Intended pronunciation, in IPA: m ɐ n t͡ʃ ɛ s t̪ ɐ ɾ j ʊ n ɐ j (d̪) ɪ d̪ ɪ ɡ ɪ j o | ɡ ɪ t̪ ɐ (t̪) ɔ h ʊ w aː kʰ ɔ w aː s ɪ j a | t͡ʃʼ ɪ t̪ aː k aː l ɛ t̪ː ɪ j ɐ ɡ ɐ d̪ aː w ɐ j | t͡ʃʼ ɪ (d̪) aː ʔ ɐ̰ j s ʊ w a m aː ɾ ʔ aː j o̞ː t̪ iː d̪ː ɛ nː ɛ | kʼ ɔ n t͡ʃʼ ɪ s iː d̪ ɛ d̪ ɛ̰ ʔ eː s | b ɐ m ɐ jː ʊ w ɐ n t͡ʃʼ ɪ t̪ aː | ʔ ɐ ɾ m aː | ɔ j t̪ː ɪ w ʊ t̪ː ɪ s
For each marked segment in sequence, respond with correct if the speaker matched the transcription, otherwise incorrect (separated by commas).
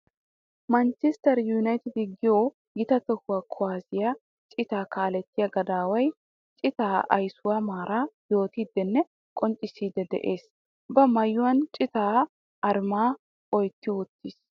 incorrect, correct, incorrect